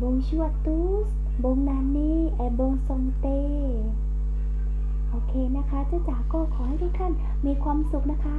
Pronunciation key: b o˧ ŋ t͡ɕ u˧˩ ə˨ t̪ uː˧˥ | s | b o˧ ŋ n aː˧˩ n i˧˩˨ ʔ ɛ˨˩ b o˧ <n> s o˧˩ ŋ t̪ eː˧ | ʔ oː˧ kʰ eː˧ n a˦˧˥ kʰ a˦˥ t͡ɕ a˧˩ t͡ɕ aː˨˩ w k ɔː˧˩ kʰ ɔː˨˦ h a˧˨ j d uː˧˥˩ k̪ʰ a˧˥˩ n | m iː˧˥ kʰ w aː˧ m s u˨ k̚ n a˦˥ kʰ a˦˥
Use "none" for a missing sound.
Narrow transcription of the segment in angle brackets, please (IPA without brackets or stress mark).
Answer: ŋ